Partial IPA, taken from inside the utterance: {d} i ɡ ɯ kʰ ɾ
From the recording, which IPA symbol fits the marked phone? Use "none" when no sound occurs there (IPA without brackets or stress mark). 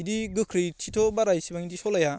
d